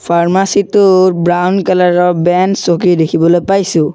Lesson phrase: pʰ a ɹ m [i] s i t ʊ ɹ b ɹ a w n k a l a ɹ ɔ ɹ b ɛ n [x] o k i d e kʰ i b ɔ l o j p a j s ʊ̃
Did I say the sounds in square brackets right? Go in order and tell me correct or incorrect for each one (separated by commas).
incorrect, incorrect